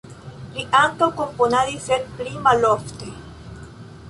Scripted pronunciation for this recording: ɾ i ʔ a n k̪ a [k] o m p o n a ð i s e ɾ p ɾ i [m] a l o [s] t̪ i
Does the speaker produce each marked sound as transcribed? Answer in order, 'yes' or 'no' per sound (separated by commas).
yes, yes, no